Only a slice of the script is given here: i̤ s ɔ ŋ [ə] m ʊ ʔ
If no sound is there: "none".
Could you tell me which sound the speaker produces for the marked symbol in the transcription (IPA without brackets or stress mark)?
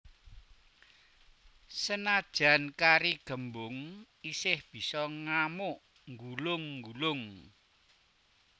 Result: a